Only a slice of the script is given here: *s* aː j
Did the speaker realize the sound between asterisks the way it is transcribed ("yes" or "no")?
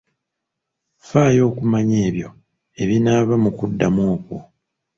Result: no